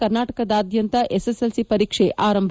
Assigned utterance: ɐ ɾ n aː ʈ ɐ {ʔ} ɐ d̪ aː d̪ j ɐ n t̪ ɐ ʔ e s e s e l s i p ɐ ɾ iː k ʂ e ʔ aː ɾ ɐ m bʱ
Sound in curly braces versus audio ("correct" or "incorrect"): incorrect